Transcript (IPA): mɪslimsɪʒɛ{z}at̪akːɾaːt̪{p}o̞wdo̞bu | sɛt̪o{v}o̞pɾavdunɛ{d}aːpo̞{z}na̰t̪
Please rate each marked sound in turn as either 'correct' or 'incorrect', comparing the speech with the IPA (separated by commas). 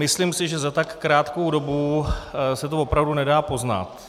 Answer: correct, incorrect, correct, correct, correct